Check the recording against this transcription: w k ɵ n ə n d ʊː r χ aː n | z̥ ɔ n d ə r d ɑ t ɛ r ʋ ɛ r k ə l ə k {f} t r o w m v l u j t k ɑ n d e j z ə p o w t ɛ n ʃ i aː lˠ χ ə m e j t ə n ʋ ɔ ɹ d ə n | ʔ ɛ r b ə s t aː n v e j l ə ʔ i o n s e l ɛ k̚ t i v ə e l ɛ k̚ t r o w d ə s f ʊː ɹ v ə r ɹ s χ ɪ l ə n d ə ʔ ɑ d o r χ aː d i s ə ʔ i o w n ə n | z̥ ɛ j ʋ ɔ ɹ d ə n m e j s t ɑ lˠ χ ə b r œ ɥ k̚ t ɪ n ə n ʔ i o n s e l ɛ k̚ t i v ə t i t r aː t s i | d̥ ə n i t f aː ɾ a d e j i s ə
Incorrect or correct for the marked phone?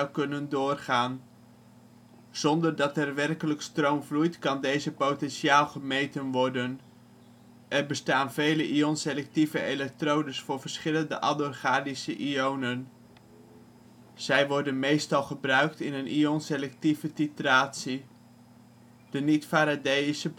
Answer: incorrect: s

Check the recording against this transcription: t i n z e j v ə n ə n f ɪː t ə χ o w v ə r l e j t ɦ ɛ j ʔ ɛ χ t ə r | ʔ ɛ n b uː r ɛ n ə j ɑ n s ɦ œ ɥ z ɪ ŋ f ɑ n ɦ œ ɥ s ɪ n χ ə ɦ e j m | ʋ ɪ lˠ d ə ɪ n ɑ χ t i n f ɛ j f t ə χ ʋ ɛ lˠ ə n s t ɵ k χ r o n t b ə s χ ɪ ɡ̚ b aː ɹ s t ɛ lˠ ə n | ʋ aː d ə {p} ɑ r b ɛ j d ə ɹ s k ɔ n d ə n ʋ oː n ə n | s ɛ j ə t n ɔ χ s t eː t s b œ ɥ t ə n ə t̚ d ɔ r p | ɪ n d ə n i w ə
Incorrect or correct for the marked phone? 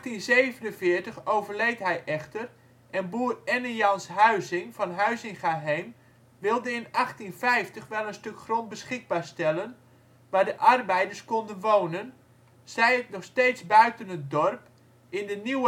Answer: incorrect: ʔ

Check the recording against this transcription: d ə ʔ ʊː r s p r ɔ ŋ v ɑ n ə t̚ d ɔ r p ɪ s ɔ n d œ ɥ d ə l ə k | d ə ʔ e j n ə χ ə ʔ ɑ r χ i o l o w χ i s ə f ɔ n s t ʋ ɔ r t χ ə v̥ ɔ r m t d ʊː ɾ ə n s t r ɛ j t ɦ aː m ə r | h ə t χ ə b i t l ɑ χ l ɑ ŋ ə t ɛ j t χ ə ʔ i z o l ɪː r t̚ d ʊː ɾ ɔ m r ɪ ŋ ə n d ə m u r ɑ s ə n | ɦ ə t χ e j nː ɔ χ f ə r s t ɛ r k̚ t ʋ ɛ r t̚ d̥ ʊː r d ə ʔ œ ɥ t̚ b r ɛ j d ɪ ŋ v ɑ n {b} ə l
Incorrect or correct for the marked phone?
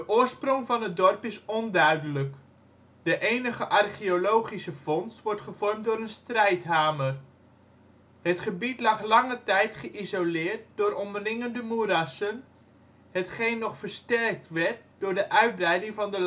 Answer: incorrect: d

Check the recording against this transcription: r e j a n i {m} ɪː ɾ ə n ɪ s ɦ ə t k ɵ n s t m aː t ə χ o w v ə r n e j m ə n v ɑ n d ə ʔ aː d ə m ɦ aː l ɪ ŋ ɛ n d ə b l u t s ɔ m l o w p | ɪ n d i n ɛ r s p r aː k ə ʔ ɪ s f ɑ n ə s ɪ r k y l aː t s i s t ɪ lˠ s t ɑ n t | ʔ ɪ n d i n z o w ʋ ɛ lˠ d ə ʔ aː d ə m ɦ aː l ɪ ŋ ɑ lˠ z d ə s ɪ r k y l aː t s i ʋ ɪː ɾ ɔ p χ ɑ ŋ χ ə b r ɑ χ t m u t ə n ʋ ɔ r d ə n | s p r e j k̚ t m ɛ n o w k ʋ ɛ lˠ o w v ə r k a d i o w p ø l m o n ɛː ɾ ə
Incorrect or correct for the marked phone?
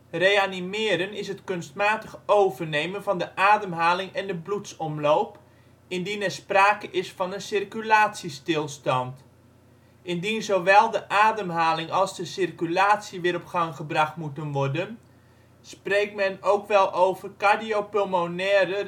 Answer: correct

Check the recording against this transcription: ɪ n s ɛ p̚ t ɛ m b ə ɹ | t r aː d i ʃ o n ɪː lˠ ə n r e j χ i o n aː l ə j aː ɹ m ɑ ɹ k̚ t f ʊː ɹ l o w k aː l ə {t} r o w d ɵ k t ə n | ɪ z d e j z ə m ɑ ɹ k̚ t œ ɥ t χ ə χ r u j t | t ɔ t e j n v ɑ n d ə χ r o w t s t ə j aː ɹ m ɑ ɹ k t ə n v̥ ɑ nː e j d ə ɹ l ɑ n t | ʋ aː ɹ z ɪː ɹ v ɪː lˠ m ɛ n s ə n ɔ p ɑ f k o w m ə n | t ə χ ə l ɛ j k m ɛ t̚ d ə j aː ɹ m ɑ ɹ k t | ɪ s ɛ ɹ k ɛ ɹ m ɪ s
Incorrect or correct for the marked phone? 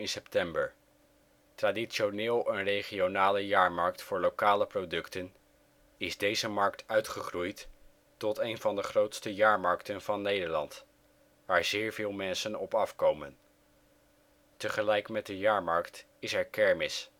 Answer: incorrect: p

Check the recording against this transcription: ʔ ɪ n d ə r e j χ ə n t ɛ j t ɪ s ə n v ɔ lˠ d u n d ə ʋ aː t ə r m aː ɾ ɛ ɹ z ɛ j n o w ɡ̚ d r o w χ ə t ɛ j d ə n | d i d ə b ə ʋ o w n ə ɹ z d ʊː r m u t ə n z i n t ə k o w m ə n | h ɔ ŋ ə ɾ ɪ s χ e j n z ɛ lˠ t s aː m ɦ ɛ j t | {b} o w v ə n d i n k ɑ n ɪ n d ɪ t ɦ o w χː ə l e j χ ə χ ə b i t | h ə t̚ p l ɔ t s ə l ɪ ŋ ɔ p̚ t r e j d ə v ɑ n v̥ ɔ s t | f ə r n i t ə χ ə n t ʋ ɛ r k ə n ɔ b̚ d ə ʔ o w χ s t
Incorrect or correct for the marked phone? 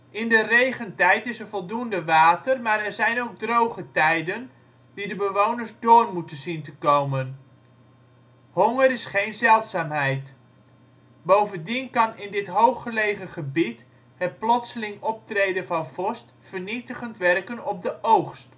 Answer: correct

